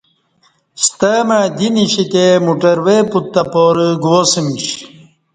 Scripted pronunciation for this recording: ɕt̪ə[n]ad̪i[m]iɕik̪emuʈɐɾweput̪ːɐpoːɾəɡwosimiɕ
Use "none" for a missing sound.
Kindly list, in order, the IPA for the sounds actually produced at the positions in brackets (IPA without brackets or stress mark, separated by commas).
m, n